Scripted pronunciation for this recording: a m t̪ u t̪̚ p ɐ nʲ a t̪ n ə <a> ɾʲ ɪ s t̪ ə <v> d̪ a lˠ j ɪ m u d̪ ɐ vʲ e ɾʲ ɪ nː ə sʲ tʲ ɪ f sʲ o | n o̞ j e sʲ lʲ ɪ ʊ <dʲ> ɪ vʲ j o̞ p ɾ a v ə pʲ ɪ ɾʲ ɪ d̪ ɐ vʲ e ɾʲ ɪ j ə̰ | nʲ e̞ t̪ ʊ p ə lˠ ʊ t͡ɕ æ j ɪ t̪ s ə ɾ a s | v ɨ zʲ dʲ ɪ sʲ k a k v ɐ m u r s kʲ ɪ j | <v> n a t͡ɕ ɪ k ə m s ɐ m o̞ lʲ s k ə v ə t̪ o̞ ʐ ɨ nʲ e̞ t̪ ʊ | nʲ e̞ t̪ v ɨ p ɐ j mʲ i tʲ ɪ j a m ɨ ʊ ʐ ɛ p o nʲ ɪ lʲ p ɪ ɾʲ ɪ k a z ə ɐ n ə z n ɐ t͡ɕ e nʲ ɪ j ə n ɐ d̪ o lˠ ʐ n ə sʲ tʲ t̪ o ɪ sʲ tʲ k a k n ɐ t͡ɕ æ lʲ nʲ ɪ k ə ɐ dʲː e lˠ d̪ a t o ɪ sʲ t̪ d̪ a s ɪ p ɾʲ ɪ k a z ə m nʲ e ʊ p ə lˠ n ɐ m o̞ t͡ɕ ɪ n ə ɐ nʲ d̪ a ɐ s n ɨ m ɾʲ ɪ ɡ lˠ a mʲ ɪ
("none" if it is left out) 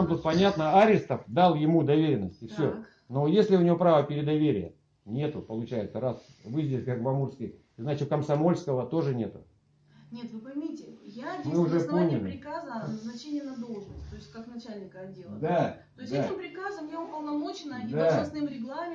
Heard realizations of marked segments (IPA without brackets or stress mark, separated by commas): a, f, nʲ, z